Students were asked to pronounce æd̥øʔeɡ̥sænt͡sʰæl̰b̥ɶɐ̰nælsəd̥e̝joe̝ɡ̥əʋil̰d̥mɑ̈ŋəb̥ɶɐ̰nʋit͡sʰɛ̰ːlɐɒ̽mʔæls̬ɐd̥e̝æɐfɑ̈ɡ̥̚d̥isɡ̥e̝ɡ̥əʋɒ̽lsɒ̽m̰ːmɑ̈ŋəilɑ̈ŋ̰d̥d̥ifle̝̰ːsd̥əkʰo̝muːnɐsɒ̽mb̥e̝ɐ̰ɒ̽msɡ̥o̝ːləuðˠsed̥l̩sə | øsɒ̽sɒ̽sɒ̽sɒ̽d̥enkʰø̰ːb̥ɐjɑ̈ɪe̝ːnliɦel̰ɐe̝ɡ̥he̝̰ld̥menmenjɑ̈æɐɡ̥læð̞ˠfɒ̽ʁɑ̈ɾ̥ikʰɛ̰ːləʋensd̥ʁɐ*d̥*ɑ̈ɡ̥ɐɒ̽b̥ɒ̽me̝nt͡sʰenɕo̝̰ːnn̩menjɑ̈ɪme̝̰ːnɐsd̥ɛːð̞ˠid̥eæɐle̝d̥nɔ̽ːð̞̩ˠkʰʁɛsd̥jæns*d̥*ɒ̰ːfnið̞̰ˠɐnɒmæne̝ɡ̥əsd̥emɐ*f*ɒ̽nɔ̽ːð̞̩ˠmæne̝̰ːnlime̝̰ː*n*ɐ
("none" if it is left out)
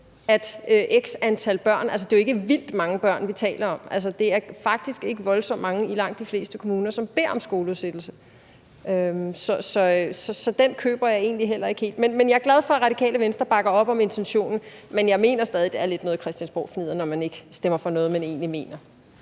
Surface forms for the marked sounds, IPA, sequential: b̥, b̥, f, n

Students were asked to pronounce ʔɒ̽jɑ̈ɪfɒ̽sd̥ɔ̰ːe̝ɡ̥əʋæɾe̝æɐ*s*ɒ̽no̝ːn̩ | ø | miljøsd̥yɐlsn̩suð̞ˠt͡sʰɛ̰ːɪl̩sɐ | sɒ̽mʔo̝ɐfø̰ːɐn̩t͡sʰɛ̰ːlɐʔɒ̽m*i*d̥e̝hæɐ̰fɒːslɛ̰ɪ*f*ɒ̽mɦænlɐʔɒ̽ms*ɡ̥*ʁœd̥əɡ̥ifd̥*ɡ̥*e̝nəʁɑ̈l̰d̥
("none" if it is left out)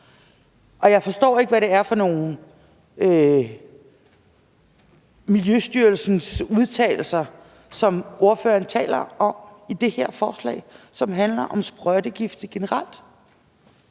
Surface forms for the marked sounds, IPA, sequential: f, i, s, b̥, ɡ̥

